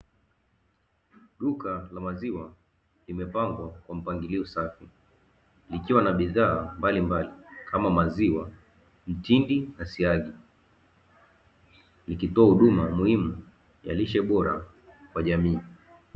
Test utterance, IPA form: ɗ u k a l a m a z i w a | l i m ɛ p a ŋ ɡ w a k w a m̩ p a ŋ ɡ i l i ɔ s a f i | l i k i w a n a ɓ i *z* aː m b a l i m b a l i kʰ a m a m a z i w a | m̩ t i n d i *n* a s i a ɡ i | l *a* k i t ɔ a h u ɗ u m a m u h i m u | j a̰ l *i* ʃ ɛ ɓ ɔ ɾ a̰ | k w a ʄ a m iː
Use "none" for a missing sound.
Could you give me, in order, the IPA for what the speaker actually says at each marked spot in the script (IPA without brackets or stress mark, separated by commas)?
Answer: ð, n, i, i